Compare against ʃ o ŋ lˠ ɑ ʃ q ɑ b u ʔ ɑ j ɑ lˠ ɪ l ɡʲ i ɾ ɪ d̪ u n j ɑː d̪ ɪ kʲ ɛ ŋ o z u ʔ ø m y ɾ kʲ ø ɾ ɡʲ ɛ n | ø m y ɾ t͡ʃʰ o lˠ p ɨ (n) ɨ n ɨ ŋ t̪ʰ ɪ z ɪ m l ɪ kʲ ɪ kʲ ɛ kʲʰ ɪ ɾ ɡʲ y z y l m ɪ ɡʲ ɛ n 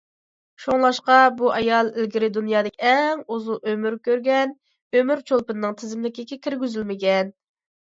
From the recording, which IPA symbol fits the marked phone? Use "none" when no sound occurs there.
n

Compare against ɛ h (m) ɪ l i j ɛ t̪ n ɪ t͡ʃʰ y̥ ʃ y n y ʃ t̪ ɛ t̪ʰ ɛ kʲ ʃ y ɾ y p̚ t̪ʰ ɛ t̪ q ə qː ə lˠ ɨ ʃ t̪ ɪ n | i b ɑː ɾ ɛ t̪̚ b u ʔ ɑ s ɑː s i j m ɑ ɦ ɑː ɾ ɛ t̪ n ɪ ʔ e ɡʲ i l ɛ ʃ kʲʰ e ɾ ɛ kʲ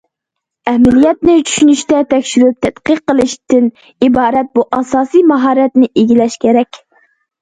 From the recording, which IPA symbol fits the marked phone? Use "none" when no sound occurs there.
m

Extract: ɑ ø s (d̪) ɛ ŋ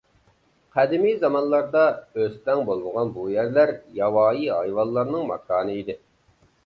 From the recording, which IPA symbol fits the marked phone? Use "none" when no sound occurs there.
t̪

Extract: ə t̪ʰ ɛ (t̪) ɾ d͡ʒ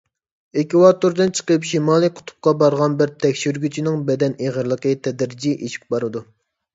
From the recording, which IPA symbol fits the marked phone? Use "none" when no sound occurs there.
d̪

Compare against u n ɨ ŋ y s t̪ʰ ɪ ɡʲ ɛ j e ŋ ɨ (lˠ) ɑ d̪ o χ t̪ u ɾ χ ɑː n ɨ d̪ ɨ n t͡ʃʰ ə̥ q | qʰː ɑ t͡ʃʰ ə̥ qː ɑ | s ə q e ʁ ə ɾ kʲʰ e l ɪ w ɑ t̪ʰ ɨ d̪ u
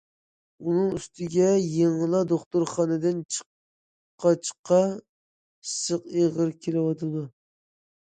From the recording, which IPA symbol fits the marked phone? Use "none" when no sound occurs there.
lˠ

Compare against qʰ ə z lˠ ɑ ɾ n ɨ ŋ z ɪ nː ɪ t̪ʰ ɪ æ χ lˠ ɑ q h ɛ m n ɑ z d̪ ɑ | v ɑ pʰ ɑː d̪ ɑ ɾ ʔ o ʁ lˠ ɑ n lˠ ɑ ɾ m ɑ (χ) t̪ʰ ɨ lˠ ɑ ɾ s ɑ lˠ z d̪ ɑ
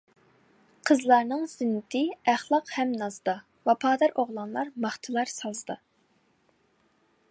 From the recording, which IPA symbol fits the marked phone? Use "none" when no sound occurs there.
χ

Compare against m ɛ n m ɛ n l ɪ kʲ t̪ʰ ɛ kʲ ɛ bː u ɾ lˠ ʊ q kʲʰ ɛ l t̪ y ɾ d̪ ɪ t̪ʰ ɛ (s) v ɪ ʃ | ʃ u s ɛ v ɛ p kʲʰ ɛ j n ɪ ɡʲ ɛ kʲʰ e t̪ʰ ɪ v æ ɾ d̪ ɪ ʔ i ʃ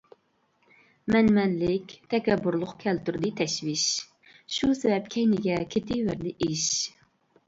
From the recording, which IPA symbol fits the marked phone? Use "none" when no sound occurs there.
ʃ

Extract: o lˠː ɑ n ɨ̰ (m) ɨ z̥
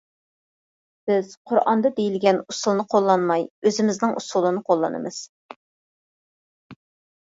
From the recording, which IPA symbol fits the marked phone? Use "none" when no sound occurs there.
m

